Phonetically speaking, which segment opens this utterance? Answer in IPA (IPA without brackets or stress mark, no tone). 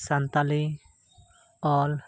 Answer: s